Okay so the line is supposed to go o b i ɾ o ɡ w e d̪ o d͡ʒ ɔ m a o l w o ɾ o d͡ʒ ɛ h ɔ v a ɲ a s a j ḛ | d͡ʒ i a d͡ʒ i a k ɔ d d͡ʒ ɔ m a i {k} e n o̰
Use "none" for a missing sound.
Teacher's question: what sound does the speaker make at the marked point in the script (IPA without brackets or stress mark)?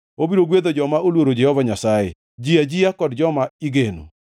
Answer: ɡ